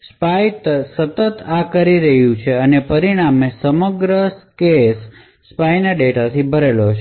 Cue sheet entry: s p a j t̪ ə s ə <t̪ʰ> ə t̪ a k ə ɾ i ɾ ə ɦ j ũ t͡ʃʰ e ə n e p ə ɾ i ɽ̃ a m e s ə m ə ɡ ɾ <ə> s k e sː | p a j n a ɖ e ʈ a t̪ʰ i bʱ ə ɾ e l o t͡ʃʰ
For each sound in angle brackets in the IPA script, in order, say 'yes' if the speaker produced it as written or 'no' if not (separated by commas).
no, yes